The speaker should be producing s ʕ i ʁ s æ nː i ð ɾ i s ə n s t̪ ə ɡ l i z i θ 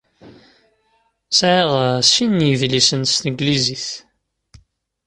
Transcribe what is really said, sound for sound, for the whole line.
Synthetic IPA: s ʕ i ʁ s i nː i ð l i s ə n s t̪ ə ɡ l i z i θ